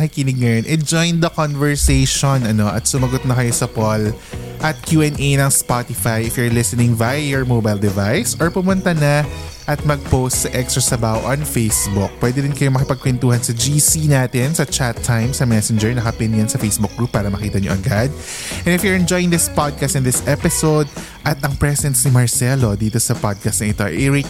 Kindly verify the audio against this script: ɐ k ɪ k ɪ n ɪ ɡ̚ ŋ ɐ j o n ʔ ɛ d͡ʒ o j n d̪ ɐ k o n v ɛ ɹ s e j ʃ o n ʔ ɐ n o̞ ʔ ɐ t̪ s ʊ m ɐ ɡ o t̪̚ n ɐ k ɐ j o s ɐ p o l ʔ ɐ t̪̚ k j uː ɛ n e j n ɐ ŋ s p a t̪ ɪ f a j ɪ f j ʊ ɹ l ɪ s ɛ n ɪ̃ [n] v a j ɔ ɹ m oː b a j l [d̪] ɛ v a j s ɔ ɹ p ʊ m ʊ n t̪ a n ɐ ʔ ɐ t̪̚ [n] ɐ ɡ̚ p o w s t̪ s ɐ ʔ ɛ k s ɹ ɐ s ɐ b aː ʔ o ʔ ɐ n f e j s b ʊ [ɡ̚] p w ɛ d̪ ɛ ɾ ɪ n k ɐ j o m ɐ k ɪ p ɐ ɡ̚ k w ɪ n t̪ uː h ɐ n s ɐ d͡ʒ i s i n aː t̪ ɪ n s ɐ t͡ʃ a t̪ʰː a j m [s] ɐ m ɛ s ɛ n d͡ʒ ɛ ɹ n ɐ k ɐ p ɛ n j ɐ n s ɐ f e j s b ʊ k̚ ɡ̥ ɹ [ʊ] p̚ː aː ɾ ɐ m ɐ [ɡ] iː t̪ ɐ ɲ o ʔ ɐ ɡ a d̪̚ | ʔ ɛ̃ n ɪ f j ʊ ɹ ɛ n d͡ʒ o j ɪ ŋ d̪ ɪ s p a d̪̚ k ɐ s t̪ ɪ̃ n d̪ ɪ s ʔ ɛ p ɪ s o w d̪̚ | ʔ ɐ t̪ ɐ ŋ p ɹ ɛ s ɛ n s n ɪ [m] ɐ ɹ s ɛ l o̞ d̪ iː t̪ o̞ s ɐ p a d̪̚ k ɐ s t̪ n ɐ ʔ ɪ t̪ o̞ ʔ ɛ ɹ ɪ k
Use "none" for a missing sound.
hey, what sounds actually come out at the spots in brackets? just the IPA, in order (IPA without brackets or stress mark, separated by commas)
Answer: ŋ, d̪, m, k̚, s, u, k, m